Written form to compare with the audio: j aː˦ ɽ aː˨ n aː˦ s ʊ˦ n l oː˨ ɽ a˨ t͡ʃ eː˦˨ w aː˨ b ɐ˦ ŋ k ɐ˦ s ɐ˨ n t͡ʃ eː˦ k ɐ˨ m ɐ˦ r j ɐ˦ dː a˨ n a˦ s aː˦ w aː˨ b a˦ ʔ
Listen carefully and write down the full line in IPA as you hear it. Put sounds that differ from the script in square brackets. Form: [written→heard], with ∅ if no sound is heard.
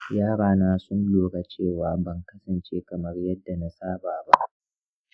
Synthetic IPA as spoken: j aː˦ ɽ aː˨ n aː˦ s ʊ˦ n l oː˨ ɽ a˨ t͡ʃ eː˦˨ w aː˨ b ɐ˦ ŋ k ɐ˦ s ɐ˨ n t͡ʃ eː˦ k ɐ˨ m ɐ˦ r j ɐ˦ dː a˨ n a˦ s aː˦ [w→b] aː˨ b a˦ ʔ